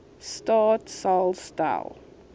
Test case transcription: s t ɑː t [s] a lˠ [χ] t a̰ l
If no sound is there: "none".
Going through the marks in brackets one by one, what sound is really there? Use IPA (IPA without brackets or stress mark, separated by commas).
s, s